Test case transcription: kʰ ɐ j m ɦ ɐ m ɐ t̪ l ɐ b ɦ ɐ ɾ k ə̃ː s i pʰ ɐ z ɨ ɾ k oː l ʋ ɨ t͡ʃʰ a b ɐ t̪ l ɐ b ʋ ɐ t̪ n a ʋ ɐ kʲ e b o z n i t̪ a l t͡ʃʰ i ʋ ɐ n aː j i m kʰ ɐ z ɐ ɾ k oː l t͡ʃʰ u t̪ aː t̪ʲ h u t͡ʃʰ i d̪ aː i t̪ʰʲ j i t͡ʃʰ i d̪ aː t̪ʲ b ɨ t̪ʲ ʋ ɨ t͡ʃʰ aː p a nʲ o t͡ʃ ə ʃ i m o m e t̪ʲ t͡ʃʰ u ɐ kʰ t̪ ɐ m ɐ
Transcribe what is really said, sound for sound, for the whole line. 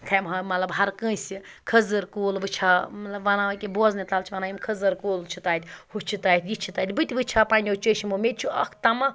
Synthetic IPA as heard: kʰ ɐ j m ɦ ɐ m ɐ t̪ l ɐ b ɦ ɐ ɾ k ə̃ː s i kʰ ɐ z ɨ ɾ k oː l ʋ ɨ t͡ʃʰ a m ɐ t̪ l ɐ b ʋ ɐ n a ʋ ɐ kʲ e b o z n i t̪ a l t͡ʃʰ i ʋ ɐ n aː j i m kʰ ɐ z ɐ ɾ k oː l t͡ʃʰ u t̪ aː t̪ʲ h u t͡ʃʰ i t̪ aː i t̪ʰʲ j i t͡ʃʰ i t̪ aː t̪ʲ b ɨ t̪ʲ ʋ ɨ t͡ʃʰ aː p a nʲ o t͡ʃ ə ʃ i m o m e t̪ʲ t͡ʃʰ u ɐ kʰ t̪ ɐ m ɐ